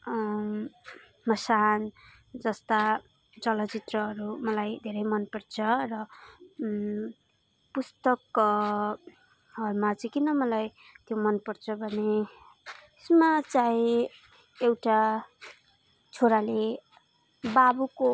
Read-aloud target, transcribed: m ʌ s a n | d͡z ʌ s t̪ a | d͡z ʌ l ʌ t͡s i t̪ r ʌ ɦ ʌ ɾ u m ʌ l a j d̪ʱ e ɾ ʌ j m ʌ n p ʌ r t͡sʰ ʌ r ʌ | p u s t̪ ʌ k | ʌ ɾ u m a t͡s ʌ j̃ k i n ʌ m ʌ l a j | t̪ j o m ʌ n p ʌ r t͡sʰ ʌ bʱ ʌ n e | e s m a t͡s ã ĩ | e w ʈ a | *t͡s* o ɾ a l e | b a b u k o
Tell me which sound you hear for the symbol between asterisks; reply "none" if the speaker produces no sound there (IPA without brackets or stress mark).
t͡sʰ